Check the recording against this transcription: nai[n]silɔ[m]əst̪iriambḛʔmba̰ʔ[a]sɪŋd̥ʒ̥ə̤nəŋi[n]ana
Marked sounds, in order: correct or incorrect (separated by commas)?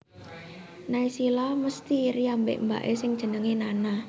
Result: incorrect, correct, incorrect, correct